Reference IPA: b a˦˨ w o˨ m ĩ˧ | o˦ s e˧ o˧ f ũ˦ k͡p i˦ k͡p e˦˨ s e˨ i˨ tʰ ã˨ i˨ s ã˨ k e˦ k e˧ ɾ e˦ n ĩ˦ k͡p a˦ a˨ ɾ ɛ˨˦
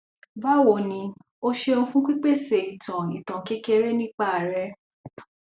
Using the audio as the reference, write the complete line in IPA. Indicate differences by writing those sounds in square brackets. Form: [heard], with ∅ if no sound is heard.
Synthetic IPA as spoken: b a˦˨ w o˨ [n] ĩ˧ | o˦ [ʃ] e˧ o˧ f ũ˦ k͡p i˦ k͡p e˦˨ s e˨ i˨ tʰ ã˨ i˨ [t] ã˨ k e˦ k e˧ ɾ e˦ n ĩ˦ k͡p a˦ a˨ ɾ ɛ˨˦